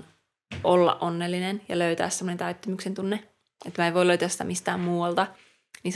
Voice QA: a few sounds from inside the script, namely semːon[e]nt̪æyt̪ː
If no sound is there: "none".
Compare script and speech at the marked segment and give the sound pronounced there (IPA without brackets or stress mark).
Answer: e